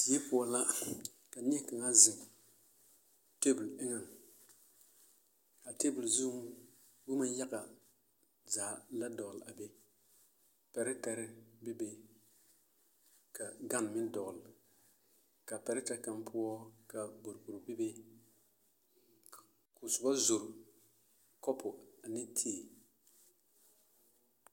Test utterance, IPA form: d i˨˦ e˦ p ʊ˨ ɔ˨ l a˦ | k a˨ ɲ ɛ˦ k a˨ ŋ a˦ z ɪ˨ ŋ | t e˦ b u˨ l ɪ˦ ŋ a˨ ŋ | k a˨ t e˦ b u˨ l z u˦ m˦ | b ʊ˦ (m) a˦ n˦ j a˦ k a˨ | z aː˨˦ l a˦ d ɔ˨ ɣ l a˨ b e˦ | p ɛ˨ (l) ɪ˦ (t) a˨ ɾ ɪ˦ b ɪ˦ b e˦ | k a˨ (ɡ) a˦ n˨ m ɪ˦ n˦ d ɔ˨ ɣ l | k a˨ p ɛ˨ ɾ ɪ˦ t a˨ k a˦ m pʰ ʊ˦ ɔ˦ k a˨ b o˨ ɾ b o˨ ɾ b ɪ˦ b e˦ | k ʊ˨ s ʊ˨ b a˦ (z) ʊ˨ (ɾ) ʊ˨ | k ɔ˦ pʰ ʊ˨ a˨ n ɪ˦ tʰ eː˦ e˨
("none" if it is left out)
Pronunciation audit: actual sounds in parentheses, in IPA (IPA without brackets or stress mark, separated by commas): m, ɾ, t, ɡ, z, ɾ